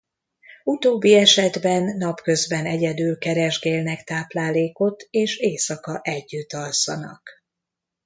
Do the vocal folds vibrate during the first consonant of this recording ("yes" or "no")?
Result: no